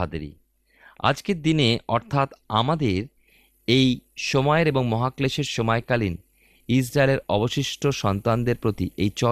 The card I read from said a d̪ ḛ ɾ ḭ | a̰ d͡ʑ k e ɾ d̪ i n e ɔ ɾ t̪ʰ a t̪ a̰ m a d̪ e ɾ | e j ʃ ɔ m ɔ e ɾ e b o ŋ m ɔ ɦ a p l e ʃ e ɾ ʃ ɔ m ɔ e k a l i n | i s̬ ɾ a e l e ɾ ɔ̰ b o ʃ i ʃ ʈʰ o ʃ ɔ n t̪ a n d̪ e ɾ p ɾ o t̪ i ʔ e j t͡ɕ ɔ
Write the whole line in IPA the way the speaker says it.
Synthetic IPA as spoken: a d̪ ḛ ɾ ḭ | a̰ d͡ʑ k e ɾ d̪ i n e ɔ ɾ t̪ʰ a t̪ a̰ m a d̪ e ɾ | e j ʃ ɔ m ɔ e ɾ e b o ŋ m ɔ ɦ a k l e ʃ e ɾ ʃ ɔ m ɔ e k a l i n | i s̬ ɾ a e l e ɾ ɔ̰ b o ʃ i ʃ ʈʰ o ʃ ɔ n t̪ a n d̪ e ɾ p ɾ o t̪ i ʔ e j t͡ɕ ɔ